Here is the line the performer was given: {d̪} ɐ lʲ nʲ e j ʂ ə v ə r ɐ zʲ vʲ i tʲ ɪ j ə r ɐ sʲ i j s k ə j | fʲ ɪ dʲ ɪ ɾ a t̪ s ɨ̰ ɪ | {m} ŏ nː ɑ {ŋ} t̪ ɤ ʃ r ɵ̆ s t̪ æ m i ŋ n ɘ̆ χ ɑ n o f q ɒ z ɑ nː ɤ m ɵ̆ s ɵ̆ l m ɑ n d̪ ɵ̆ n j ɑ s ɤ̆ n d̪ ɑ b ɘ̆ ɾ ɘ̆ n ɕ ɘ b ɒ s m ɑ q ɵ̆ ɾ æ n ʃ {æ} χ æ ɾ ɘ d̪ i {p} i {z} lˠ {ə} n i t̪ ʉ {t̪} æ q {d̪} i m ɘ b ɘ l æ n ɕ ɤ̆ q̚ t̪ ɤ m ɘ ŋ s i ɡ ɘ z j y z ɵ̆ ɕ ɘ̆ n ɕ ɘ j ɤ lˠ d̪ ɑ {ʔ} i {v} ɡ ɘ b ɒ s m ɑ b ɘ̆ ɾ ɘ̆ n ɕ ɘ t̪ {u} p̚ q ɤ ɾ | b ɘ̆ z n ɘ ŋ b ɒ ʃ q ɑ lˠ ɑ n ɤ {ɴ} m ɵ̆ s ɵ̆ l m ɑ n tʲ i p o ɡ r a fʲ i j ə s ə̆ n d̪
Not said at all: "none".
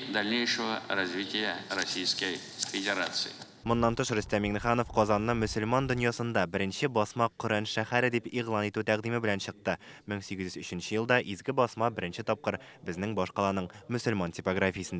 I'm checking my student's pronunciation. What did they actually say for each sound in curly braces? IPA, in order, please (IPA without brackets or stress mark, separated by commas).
d̪, m, n, æ, p, ʁ, ɑ, t̪, d̪, ʔ, z, ɒ, ɴ